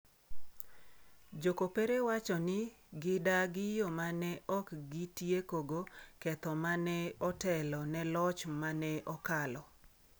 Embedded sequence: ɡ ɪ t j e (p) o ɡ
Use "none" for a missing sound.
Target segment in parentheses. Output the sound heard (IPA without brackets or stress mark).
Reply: k